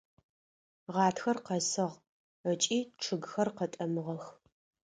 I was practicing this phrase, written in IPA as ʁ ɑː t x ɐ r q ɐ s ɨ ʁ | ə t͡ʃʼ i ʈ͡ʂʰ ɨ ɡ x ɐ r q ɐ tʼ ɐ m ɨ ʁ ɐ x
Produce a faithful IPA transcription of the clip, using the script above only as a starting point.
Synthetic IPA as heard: ʁ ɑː t x ɐ r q ɐ s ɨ ʁ | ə t͡ʃʼ iː ʈ͡ʂʰ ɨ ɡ x ɐ r q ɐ tʼ ɐ m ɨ ʁ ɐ x